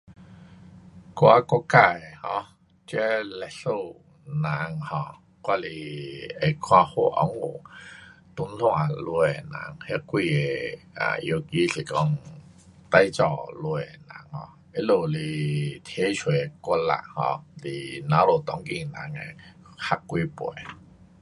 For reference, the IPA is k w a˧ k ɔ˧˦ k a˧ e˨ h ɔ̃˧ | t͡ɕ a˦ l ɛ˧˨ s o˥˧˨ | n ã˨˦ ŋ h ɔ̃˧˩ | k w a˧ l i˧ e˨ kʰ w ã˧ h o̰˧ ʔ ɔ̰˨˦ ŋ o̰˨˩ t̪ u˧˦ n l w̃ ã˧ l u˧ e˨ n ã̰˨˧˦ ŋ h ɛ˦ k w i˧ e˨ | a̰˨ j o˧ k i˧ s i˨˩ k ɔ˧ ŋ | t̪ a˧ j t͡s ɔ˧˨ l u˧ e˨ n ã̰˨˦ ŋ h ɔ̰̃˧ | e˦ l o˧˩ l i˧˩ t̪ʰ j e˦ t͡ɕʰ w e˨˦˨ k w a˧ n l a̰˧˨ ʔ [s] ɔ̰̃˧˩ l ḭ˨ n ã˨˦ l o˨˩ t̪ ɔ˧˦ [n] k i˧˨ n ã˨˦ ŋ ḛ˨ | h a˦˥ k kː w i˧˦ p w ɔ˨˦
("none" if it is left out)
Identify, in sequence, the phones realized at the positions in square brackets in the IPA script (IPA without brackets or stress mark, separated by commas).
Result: h, ŋ